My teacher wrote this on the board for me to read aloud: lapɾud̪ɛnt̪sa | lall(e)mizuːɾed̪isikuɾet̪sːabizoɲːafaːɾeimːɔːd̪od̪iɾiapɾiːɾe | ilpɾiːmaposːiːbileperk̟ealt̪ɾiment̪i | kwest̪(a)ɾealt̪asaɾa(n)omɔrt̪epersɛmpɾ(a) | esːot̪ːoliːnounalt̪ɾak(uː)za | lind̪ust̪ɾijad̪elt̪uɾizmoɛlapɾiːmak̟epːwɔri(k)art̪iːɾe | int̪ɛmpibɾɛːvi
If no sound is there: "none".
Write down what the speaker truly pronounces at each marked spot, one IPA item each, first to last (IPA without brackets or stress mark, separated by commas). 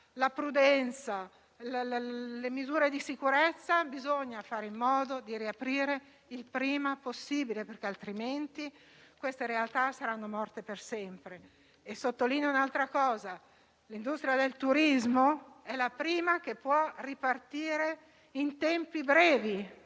e, e, nː, e, ɔː, p